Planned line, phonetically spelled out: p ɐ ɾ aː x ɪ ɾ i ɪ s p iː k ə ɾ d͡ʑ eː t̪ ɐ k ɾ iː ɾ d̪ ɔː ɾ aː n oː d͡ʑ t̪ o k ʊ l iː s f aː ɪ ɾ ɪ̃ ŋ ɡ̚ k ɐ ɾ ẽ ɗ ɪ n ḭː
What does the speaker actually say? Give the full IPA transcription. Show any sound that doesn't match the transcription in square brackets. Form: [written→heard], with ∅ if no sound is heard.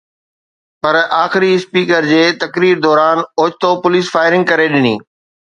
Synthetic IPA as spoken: p ɐ ɾ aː x ɪ ɾ i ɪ s p iː k ə ɾ d͡ʑ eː t̪ ɐ k ɾ iː ɾ d̪ ɔː ɾ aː n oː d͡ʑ t̪ o [k→p] ʊ l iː s f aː ɪ ɾ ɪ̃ ŋ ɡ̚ k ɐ ɾ [ẽ→e] ɗ ɪ n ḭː